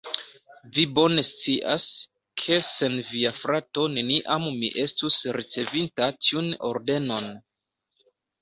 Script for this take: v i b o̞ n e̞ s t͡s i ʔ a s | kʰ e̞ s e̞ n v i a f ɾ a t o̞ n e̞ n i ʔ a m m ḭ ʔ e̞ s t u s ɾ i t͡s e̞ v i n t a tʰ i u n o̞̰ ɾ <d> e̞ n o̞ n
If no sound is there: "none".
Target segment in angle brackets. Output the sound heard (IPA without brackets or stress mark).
d